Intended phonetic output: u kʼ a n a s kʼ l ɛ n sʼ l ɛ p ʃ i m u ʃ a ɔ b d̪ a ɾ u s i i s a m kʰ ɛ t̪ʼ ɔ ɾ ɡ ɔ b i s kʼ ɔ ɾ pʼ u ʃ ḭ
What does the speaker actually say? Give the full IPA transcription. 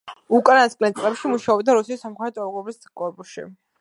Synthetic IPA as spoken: u kʼ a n a s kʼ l ɛ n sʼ l ɛ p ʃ i m u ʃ a ɔ b d̪ a ɾ u s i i s a m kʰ ɛ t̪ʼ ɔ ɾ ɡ ɔ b i s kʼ ɔ ɾ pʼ u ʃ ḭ